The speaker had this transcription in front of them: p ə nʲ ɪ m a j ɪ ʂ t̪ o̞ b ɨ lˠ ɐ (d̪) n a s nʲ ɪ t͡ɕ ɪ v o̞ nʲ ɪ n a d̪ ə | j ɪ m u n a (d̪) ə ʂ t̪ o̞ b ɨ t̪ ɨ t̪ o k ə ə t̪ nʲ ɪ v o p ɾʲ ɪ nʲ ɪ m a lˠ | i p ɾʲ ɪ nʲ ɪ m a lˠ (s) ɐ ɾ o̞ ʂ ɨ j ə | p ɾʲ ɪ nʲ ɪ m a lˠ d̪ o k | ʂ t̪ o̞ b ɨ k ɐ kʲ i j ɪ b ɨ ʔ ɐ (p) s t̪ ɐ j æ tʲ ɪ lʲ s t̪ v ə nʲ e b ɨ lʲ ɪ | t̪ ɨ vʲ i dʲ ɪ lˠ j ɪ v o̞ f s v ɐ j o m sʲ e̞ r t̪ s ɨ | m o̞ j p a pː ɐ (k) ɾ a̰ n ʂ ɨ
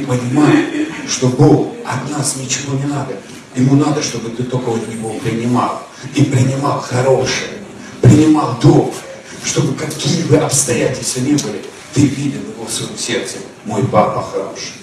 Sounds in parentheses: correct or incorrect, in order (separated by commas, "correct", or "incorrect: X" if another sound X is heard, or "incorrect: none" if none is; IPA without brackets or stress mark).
incorrect: t̪, correct, incorrect: x, correct, incorrect: x